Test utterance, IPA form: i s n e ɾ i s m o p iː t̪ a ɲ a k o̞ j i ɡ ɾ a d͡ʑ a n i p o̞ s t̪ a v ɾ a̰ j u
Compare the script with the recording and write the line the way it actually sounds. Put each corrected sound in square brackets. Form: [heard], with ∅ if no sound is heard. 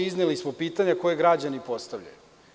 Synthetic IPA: i [z] n e [l] i s m o p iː t̪ a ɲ a k o̞ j [e] ɡ ɾ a d͡ʑ a n i p o̞ s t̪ a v [ʎ] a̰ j u